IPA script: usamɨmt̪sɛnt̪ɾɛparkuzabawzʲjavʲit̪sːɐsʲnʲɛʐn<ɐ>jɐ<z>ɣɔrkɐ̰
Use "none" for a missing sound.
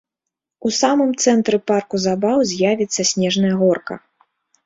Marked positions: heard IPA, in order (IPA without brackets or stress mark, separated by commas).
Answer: ɐ, none